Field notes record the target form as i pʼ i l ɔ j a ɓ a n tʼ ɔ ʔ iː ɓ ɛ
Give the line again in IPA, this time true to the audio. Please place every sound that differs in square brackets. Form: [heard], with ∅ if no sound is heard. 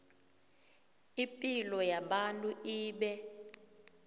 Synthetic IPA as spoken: i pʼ i l ɔ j a ɓ a n tʼ [u] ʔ iː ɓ ɛ